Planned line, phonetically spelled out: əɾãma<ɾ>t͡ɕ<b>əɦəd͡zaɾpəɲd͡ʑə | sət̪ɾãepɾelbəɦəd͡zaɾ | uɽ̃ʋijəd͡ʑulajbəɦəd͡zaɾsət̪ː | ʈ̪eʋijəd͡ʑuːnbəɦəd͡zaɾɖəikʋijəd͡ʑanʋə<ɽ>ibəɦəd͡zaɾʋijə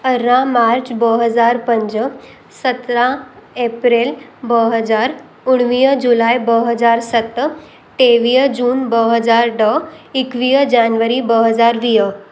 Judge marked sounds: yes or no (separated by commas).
yes, yes, no